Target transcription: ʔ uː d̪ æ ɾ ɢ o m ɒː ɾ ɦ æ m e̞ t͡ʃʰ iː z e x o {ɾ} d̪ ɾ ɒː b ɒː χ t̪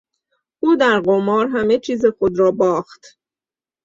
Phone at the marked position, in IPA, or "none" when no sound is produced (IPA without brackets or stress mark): none